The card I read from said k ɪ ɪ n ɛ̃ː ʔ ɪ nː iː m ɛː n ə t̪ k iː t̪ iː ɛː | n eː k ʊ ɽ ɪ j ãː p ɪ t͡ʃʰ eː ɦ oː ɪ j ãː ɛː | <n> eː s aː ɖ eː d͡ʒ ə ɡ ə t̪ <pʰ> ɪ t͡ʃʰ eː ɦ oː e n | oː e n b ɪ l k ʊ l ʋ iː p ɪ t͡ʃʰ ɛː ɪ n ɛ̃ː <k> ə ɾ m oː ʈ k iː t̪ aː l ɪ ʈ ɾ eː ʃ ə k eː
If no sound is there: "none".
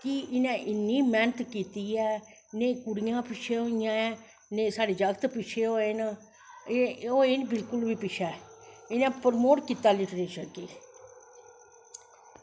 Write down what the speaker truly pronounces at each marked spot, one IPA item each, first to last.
n, p, p

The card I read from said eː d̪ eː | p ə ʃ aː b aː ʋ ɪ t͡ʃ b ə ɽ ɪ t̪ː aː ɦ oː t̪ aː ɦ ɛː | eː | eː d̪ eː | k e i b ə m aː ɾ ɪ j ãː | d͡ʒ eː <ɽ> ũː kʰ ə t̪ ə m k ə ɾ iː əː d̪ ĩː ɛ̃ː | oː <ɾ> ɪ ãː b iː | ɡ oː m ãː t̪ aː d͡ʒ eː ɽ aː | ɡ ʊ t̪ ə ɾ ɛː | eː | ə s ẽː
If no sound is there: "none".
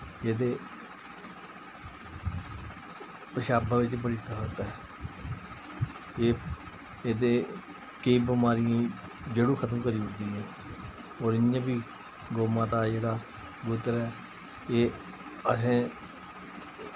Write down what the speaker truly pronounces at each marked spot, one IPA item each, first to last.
ɽ, ɾ

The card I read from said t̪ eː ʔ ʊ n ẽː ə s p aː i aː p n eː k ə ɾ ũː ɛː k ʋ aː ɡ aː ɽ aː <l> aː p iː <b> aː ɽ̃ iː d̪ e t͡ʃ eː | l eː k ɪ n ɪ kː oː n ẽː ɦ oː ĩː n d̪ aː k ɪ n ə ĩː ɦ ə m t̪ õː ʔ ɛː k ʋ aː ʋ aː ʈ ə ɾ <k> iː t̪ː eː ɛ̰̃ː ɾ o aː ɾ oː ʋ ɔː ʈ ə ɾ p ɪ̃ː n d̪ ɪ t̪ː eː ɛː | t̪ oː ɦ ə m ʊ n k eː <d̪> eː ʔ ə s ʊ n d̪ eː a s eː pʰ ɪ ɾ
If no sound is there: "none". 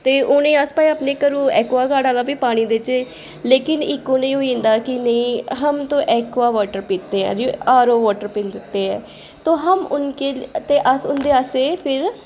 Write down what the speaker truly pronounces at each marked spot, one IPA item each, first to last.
l, p, p, t̪

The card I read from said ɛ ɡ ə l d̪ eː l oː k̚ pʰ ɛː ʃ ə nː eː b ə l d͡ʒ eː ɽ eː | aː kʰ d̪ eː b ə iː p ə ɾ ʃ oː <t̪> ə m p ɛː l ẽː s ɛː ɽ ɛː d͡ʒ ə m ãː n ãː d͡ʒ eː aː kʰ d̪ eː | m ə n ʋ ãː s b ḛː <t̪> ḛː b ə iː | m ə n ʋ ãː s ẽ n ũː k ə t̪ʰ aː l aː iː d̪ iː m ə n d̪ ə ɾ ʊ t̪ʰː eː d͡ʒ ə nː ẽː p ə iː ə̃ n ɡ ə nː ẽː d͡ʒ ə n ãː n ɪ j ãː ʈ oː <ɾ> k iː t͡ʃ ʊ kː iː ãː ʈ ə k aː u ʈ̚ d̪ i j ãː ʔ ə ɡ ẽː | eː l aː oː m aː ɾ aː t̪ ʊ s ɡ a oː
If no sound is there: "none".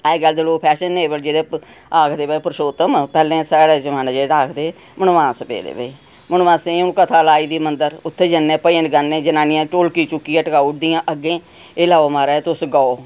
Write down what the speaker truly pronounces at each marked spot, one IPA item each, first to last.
t̪, d̪, l

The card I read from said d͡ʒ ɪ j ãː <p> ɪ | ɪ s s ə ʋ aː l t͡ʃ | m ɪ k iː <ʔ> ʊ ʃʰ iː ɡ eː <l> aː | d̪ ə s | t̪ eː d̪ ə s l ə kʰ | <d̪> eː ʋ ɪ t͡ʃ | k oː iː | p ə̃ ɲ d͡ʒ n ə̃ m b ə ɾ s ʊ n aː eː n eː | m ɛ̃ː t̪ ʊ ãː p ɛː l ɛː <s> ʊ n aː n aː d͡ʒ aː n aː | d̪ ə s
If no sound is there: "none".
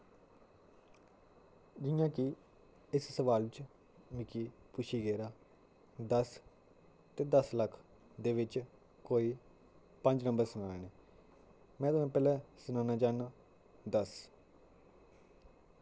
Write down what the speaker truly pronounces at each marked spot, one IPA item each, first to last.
k, p, ɾ, d̪, s

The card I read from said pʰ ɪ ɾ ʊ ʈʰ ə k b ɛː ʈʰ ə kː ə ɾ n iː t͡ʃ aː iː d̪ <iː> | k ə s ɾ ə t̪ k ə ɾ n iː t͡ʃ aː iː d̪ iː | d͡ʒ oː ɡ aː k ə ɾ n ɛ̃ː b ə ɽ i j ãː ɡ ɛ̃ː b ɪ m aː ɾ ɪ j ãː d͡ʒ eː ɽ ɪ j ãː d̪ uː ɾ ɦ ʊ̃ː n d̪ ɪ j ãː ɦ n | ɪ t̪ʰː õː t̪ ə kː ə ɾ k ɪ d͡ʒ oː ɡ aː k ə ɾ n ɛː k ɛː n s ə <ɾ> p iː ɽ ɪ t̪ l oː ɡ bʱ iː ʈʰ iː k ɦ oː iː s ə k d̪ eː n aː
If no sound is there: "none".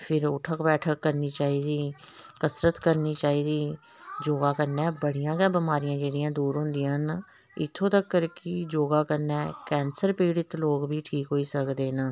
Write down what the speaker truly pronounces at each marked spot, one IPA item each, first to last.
iː, ɾ

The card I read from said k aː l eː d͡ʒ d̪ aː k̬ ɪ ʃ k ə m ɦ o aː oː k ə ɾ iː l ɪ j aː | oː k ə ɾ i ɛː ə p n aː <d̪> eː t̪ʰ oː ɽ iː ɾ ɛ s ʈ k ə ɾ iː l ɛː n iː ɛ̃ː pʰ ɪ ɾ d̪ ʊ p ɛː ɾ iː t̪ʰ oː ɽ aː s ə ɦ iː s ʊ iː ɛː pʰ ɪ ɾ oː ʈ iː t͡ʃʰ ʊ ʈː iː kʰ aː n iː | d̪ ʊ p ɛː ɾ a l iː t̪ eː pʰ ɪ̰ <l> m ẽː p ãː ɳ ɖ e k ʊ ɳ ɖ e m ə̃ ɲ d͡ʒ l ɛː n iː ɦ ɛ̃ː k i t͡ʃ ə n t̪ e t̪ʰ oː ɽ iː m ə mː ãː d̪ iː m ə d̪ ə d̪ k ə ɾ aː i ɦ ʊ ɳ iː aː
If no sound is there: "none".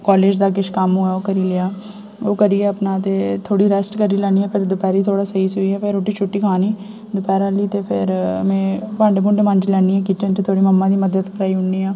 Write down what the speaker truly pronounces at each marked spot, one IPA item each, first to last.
t̪, ɾ

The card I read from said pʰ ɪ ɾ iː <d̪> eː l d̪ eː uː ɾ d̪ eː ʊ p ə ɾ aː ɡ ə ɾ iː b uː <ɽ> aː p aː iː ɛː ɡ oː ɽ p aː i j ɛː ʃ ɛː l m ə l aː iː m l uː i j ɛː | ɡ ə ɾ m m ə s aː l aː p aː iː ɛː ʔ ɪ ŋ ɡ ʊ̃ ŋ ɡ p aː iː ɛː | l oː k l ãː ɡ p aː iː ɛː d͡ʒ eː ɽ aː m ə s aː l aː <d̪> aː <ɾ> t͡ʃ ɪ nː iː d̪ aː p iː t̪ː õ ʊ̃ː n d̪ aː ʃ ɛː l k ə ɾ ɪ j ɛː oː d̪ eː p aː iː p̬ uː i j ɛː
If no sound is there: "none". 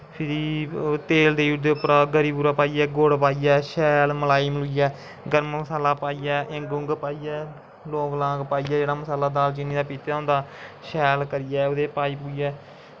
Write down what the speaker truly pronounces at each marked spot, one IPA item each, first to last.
t̪, ɾ, d̪, l

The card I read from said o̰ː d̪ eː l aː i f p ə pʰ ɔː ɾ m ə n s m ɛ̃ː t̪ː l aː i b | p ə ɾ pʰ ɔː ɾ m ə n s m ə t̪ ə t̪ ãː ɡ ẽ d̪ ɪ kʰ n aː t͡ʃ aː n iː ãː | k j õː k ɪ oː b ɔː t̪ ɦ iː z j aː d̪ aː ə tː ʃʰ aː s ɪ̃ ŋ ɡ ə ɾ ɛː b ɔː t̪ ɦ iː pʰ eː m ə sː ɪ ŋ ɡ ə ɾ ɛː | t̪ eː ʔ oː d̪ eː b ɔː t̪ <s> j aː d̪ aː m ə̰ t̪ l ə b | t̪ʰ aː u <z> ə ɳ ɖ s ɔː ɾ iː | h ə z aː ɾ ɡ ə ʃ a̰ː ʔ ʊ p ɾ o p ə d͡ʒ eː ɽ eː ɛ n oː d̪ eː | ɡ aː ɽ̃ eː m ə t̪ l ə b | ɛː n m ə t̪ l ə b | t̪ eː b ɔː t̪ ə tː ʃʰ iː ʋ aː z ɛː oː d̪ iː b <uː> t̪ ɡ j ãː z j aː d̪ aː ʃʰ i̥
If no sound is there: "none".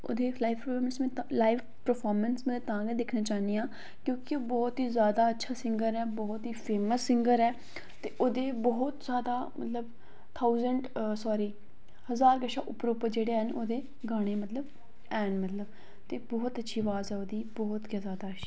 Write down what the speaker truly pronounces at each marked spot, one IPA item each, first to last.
z, z, ɔː

